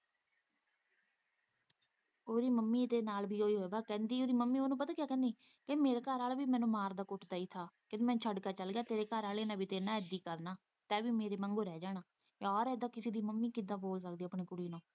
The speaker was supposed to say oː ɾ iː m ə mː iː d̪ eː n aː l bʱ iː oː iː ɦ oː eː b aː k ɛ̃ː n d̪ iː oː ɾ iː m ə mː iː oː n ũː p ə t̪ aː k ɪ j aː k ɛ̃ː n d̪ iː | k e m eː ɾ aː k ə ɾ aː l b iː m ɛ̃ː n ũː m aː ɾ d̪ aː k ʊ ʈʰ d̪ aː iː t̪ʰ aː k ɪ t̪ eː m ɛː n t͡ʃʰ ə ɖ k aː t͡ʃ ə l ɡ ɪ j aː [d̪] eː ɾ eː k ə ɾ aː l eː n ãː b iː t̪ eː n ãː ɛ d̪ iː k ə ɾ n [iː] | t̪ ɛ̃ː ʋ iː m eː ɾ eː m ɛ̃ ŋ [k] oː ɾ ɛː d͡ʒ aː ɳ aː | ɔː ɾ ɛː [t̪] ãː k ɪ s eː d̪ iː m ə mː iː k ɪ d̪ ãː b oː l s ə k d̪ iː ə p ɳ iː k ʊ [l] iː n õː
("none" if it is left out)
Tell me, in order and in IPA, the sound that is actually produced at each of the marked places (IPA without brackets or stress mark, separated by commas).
t̪, aː, ɡ, d̪, ɽ